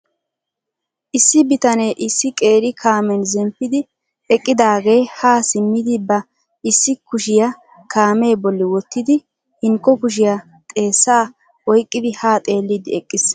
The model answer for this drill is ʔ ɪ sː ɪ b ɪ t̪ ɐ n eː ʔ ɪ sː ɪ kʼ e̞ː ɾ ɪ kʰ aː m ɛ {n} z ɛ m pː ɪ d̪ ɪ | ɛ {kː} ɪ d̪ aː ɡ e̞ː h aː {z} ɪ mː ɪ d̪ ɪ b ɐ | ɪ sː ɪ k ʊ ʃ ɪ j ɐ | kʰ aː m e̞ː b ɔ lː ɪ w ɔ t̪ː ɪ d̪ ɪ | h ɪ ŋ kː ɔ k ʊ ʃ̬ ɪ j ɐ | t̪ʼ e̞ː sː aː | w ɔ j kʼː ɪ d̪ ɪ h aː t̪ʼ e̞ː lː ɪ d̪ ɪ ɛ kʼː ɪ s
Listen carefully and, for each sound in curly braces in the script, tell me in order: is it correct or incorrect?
correct, incorrect, incorrect

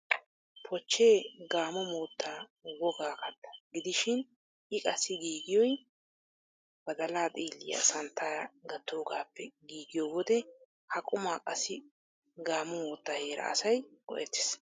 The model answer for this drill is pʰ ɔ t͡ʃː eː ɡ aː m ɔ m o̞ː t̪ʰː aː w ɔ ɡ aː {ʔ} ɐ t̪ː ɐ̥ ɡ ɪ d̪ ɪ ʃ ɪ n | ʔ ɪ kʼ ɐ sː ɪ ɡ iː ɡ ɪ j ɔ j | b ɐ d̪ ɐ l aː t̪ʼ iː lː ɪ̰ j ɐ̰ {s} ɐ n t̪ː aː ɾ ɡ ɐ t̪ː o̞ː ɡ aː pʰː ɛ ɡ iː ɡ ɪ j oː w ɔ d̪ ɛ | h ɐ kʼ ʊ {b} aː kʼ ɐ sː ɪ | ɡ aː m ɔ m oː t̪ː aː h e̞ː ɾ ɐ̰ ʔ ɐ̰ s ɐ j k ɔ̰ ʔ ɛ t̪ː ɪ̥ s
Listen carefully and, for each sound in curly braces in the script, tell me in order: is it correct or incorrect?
incorrect, correct, incorrect

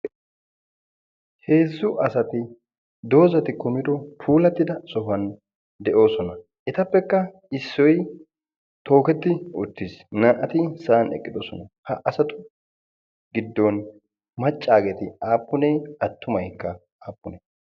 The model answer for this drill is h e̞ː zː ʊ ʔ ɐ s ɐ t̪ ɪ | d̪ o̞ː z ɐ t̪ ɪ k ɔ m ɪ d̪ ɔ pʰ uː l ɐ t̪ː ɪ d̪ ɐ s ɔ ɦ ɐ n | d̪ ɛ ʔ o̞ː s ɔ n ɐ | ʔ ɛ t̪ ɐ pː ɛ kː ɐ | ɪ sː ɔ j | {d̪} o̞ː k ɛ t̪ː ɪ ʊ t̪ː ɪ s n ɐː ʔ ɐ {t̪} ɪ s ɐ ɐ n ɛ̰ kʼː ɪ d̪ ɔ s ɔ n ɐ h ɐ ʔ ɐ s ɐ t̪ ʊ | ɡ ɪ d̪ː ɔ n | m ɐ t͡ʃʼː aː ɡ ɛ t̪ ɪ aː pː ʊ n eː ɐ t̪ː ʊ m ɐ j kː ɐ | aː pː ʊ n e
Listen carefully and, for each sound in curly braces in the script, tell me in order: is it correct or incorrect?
incorrect, correct

